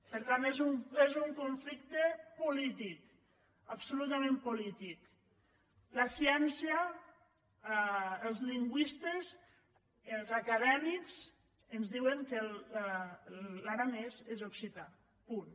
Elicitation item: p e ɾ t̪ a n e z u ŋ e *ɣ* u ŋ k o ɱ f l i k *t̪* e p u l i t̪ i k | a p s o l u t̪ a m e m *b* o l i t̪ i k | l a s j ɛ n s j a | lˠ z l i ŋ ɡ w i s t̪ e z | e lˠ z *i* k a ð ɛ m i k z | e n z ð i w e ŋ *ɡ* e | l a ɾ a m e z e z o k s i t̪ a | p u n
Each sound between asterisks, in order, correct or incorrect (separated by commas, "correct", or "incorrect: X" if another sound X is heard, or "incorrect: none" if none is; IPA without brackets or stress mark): incorrect: z, correct, incorrect: p, incorrect: a, incorrect: k